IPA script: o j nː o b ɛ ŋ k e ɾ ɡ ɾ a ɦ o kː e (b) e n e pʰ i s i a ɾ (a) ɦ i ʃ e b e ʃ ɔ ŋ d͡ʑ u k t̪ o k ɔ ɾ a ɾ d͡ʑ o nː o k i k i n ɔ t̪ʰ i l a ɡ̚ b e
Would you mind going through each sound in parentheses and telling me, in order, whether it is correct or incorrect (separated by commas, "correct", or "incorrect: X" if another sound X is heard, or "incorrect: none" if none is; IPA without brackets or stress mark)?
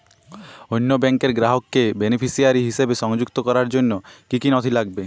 correct, incorrect: i